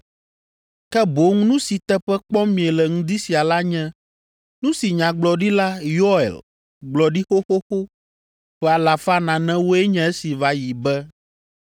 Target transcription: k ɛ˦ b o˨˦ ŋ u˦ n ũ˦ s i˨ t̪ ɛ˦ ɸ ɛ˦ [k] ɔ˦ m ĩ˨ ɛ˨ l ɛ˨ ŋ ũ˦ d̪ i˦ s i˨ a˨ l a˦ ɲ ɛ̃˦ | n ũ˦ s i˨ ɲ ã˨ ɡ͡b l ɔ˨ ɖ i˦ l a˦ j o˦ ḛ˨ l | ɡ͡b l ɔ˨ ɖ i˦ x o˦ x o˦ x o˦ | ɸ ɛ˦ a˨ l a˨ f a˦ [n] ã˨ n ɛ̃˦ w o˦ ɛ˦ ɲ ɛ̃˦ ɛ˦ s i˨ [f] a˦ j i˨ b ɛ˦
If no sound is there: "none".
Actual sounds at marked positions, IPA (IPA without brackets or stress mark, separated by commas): k͡p, n, v